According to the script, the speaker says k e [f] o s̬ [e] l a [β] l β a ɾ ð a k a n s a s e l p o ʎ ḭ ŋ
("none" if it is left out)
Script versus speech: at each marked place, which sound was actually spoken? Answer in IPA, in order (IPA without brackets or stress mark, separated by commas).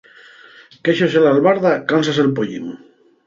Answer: ʃ, e, none